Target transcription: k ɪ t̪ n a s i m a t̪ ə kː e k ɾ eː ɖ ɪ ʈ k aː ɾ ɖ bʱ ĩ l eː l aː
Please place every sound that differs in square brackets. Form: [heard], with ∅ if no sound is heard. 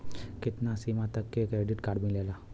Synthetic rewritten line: k ɪ t̪ n a s i m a t̪ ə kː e k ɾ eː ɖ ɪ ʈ k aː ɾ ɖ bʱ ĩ l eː l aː